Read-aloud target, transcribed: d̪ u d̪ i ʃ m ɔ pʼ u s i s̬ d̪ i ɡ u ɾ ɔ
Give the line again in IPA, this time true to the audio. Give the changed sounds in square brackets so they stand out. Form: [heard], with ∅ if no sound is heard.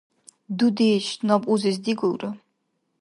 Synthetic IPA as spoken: d̪ u d̪ i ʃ [n] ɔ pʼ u [z] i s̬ d̪ i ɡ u ɾ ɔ